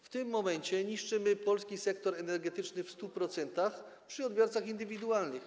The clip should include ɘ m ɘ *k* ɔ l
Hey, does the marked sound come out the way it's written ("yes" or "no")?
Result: no